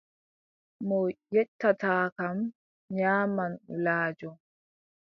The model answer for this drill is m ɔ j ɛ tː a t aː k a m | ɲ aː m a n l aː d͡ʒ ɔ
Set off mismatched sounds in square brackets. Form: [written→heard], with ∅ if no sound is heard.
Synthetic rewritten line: m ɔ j ɛ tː a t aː k a m | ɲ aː m a n l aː d͡ʒ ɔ